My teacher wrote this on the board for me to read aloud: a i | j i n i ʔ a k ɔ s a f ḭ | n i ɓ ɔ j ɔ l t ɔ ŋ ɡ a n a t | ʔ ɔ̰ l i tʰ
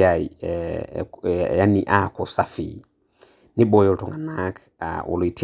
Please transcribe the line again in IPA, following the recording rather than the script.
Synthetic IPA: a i | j a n i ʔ a k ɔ s a f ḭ | n i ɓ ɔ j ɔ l t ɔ ŋ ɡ a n a k | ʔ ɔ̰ l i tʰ